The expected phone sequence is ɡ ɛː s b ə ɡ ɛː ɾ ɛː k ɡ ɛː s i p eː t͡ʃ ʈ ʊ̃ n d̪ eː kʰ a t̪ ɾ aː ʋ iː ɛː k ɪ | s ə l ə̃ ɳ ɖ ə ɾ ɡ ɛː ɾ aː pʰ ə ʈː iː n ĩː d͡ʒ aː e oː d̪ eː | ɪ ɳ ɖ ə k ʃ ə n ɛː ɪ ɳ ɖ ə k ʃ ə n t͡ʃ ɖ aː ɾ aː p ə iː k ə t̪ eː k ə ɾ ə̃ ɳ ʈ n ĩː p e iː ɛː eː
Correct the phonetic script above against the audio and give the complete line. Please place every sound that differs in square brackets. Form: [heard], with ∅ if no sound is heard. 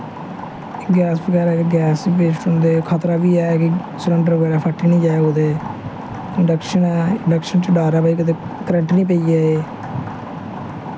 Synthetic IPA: ɡ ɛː s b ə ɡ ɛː ɾ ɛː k ɡ ɛː s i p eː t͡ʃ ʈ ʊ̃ n d̪ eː kʰ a t̪ ɾ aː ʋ iː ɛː k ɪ | s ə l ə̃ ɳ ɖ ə ɾ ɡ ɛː ɾ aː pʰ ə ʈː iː n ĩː d͡ʒ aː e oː d̪ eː | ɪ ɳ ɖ ə k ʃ ə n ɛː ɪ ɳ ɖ ə k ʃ ə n t͡ʃ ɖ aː ɾ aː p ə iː k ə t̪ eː k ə ɾ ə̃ ɳ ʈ n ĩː p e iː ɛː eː